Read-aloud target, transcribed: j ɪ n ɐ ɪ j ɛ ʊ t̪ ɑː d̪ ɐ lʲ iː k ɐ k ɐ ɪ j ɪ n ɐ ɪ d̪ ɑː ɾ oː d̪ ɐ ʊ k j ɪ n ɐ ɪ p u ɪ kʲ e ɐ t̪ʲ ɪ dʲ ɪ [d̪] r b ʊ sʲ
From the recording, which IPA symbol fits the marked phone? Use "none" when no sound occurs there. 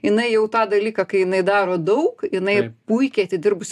none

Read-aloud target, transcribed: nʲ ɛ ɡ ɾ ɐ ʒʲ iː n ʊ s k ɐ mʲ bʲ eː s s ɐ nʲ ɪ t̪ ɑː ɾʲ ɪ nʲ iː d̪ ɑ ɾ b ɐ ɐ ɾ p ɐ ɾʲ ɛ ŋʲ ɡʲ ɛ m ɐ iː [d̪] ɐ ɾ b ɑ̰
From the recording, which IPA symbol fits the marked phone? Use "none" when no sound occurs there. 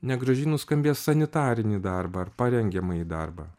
d̪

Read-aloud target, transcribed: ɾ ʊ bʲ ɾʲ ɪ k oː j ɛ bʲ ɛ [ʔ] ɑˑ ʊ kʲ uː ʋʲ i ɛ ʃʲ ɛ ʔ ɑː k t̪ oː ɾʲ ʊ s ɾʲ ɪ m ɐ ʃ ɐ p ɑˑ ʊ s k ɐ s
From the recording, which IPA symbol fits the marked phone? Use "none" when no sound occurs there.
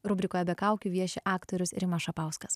k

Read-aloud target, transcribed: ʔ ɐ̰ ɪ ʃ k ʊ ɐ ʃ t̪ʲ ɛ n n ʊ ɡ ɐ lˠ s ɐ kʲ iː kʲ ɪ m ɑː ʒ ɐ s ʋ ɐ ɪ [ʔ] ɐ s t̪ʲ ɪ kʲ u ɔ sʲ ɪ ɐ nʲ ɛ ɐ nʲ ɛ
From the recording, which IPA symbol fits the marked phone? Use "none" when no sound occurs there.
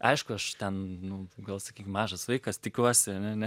k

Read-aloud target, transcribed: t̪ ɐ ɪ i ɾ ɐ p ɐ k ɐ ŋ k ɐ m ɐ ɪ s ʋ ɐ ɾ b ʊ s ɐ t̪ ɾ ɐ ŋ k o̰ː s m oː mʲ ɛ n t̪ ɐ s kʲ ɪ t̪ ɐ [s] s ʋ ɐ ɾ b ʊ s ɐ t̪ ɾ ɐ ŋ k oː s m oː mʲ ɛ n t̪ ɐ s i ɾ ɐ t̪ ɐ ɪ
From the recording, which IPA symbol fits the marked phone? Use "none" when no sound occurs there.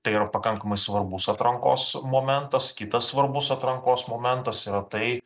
s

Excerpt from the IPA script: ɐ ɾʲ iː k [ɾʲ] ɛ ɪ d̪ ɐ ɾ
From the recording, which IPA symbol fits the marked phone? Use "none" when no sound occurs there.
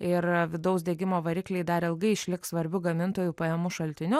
lʲ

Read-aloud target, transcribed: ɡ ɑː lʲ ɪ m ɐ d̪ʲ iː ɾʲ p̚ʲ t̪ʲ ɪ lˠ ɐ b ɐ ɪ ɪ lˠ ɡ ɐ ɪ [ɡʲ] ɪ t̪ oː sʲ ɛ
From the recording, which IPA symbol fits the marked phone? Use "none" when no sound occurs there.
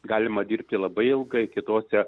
kʲ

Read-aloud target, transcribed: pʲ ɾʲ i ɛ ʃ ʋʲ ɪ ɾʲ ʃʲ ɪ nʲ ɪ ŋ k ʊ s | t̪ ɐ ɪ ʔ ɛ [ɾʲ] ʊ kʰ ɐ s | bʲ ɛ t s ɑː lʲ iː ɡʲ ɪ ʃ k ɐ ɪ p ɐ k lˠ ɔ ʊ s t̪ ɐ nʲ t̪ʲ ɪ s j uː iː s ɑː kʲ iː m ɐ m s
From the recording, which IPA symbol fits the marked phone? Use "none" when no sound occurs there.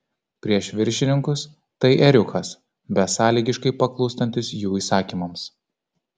ɾʲ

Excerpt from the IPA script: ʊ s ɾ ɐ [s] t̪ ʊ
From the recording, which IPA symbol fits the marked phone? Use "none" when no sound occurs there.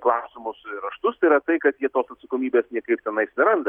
ʃ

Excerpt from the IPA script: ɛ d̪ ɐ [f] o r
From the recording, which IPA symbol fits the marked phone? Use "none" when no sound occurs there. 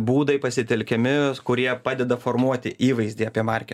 f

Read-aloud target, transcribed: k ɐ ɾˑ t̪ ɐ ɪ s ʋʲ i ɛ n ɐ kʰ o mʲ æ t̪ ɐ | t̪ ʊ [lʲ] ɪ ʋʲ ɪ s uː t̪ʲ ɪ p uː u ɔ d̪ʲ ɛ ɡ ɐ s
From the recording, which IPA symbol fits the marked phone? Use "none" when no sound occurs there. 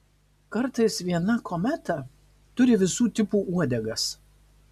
ɾʲ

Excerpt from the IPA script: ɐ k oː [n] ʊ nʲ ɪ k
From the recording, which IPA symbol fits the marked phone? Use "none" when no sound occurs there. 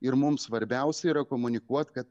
m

